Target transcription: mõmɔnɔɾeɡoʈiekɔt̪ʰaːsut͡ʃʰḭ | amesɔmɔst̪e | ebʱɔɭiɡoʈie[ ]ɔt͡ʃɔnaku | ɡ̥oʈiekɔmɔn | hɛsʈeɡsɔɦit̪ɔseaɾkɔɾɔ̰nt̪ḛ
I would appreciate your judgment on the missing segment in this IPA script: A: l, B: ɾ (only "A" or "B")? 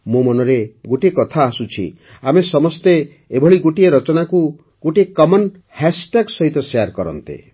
B